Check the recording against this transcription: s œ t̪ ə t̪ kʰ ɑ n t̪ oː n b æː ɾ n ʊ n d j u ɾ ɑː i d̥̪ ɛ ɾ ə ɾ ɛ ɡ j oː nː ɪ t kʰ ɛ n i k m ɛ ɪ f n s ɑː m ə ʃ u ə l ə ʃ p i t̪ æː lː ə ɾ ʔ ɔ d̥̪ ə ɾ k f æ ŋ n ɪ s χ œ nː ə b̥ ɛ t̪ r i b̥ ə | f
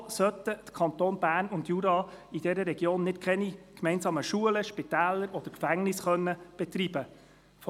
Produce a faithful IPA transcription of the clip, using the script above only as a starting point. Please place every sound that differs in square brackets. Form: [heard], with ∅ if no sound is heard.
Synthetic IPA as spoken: s œ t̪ ə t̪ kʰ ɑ n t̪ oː n b æː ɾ n ʊ n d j u ɾ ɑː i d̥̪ ɛ ɾ ə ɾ ɛ ɡ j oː nː ɪ t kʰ ɛ n i k m ɛ ɪ [∅] n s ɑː m ə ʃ u ə l ə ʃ p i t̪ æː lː ə ɾ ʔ ɔ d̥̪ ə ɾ k f æ ŋ n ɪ s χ œ nː ə b̥ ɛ t̪ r i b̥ ə | f